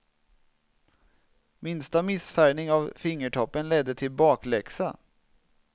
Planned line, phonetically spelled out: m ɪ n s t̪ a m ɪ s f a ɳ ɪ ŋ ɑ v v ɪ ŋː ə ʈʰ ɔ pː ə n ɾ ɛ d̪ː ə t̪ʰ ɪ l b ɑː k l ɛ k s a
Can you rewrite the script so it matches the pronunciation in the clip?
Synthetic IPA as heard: m ɪ n s t̪ a m ɪ s f æ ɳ ɪ ŋ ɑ v f ɪ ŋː ə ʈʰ ɔ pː ə n l ɛ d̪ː ə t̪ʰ ɪ l b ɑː k l ɛ k s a